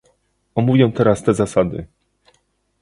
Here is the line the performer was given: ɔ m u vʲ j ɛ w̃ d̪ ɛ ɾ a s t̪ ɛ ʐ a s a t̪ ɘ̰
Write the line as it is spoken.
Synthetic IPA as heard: ɔ m u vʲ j ɛ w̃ t̪ ɛ ɾ a s t̪ ɛ z a s a d̪ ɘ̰